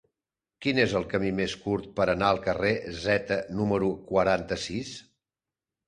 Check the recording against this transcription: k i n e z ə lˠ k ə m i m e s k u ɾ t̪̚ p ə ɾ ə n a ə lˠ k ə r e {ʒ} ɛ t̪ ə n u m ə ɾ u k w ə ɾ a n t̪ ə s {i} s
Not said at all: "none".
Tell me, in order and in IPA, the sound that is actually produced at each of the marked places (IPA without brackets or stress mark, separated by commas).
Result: z, i